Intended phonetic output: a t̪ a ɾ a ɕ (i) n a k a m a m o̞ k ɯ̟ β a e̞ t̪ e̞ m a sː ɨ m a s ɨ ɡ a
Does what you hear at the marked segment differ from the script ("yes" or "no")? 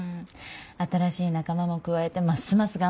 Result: yes